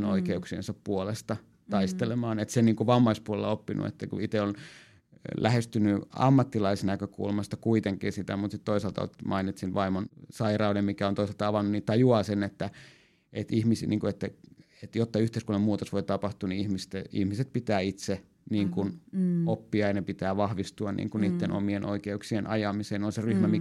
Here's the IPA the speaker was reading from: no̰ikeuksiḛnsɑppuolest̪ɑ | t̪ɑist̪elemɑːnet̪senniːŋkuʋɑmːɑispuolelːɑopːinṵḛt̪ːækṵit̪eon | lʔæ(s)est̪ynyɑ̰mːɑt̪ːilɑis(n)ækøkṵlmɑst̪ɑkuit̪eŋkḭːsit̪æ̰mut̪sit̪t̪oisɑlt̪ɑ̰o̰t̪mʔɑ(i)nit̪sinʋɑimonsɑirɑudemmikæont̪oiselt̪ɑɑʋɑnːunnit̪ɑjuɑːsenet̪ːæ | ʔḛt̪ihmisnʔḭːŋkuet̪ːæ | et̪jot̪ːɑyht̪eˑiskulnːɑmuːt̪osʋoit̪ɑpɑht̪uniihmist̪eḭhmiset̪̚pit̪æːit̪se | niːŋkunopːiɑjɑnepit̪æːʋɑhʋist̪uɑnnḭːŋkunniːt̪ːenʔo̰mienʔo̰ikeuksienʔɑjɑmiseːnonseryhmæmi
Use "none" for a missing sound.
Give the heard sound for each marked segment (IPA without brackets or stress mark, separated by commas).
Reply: h, n, i